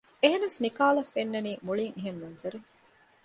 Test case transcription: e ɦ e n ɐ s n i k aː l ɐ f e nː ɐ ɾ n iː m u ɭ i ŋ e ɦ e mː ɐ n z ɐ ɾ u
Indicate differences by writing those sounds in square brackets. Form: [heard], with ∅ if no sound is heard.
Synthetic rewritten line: e ɦ e n ɐ s n i k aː l ɐ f e nː ɐ [∅] n iː m u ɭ i ŋ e ɦ e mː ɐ n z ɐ ɾ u